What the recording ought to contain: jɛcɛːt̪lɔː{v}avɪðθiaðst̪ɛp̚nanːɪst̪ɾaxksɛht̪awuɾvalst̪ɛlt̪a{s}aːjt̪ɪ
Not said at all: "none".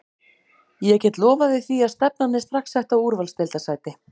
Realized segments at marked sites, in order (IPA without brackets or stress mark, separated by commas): v, s